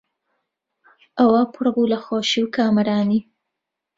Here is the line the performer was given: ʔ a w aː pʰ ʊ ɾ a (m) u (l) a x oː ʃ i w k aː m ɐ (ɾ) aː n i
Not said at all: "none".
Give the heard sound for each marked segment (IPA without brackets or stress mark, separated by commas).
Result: b, l, ɾ